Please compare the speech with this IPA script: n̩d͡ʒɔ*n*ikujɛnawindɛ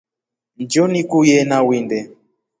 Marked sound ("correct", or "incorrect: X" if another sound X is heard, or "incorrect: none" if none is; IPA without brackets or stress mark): correct